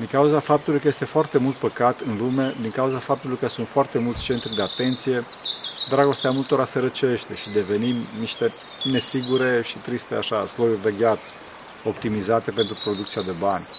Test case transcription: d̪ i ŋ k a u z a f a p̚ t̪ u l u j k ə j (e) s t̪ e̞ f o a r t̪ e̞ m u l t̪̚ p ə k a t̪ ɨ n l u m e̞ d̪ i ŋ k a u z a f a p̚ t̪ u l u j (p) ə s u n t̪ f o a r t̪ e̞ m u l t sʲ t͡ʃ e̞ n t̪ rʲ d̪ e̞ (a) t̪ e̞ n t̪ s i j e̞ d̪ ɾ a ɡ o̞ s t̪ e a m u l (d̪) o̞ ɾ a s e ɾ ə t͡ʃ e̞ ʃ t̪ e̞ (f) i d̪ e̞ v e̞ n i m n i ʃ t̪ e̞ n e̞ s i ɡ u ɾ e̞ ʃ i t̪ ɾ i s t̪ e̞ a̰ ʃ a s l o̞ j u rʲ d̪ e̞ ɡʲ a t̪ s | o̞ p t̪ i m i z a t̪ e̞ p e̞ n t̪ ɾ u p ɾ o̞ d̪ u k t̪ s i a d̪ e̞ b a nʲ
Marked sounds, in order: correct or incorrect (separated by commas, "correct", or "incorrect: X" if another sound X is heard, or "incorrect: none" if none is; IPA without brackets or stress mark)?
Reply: correct, incorrect: k, correct, incorrect: t̪, incorrect: ʃ